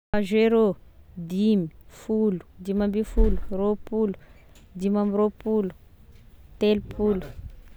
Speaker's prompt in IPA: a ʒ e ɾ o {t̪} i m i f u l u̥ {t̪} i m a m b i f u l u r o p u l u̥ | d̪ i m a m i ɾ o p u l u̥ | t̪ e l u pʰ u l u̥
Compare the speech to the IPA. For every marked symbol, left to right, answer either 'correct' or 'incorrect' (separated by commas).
incorrect, incorrect